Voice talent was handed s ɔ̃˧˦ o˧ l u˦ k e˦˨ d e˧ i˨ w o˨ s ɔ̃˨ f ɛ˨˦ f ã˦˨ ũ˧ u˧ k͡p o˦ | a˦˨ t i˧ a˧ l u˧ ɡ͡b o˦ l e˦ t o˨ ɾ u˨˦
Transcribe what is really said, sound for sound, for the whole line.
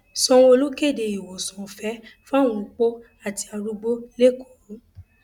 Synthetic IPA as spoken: s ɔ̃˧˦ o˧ l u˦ k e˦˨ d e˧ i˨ w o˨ s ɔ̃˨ f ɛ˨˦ f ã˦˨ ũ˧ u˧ k͡p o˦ | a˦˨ t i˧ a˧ ɾ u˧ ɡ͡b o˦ l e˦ k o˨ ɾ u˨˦